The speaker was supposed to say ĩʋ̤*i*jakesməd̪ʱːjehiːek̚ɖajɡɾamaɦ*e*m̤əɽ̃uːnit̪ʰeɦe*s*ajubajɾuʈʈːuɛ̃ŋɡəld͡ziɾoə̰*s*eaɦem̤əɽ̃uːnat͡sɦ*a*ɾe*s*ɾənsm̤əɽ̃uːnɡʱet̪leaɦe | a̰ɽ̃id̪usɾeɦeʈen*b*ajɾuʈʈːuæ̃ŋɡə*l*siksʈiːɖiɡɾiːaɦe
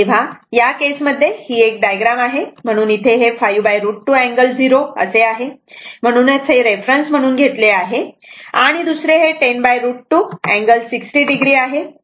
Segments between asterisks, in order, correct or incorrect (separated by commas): incorrect, correct, incorrect, correct, incorrect, incorrect, correct, correct